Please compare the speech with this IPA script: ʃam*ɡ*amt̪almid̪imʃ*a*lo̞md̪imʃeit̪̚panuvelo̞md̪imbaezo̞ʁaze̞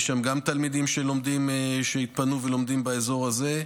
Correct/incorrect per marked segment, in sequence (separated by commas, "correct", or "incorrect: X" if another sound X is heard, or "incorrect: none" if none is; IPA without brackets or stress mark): correct, incorrect: e